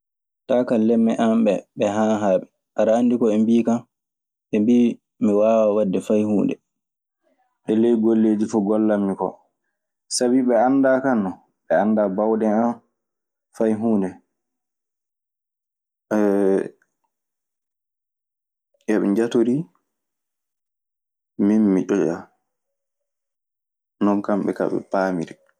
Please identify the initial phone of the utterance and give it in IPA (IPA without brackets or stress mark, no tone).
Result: t